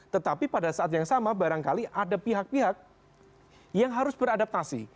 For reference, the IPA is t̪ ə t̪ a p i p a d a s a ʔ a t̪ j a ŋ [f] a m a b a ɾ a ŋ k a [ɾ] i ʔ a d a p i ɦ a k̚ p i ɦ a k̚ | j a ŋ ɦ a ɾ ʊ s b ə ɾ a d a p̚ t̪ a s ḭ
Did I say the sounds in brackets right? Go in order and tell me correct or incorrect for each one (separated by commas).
incorrect, incorrect